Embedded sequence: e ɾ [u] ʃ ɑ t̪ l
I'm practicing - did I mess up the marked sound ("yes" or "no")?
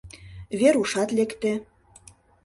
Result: no